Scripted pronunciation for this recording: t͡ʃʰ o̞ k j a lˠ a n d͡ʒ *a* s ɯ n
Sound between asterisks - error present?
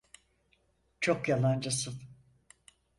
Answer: no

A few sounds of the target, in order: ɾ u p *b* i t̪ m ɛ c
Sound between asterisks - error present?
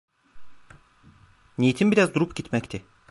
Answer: yes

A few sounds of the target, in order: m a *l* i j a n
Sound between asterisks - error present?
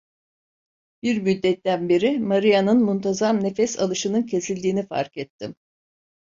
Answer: yes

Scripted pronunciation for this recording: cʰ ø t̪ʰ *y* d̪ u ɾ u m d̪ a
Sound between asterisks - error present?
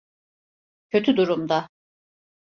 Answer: no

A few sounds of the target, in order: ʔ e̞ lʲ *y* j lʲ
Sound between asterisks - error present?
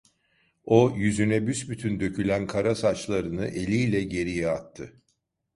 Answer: yes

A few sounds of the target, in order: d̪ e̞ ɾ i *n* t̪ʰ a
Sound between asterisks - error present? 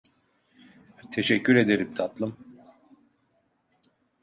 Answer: yes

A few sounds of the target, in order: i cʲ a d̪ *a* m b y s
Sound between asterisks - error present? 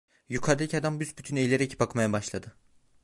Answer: no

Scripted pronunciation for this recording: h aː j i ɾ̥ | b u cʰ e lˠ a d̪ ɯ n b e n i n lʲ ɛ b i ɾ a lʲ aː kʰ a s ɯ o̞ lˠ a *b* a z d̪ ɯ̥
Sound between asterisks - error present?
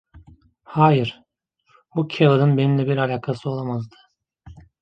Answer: yes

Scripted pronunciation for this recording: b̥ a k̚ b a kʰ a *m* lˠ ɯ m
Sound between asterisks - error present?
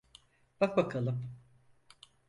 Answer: yes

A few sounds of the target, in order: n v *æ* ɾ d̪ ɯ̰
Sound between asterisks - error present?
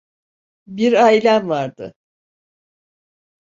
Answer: yes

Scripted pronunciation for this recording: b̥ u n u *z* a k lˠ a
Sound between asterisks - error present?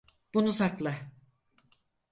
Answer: yes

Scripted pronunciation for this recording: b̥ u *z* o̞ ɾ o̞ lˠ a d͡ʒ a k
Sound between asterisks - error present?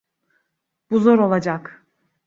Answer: no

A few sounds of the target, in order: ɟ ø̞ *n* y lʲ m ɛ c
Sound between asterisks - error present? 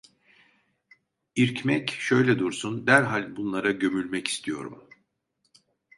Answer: yes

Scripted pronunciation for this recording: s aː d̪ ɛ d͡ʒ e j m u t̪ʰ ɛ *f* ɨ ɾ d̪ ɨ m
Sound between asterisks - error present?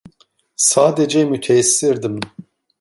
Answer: yes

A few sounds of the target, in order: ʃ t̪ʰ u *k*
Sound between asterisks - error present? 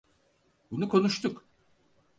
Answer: no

